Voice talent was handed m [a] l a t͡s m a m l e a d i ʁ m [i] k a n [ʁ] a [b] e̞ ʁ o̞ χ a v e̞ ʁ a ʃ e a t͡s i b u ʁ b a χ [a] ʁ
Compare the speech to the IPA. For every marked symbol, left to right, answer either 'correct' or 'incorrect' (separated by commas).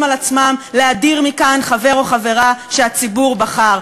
correct, correct, incorrect, incorrect, correct